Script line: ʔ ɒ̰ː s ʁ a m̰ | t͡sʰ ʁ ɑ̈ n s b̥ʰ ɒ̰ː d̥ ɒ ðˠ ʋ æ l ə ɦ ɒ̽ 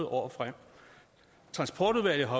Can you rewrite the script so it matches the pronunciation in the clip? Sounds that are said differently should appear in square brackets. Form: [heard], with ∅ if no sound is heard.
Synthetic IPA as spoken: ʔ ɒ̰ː [f] ʁ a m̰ | t͡sʰ ʁ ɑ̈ n s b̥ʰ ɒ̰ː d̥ [u] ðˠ ʋ æ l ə ɦ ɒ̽